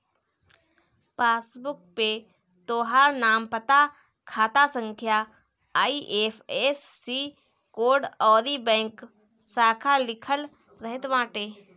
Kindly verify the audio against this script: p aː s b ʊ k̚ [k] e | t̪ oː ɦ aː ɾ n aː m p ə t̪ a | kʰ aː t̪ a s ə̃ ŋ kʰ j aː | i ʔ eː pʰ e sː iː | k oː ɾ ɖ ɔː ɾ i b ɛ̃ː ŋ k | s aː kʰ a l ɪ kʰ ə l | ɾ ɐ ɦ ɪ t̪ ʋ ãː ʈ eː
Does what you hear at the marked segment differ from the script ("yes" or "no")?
yes